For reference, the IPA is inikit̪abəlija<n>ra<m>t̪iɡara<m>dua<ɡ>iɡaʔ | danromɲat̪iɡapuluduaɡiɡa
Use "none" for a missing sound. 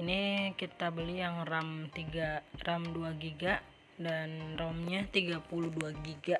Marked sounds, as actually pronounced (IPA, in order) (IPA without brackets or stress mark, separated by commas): ŋ, m, m, ɡ